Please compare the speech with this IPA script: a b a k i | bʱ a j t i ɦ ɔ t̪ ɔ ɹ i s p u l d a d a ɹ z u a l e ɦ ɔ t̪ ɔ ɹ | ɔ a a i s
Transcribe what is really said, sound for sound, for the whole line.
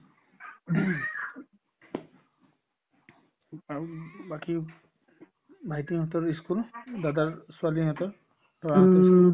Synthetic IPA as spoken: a b a k i | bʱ a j t i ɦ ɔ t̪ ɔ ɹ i s k u l d a d a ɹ s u a l i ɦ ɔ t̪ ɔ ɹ | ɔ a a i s